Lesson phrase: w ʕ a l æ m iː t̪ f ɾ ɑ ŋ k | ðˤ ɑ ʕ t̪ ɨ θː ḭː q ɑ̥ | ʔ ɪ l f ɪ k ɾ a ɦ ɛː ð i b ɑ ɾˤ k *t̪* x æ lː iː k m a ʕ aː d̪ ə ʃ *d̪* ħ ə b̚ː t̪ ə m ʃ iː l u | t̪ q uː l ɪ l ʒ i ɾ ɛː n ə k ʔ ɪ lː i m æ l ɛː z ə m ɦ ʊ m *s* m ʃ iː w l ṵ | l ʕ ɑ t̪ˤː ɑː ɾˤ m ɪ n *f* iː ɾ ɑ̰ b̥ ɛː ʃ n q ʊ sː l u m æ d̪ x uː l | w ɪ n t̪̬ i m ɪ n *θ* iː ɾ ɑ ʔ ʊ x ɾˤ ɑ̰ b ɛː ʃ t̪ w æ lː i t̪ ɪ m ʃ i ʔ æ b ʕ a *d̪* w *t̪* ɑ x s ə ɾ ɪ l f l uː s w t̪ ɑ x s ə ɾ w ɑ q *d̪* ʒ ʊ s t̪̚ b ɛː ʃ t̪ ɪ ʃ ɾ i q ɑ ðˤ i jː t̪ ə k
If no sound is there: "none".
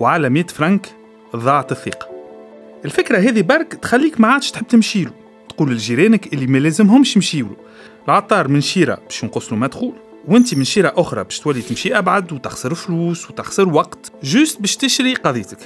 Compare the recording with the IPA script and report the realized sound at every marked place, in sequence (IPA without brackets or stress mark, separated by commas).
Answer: t̪, t̪, ʃ, ʃ, ʃ, d̪, t̪, t̪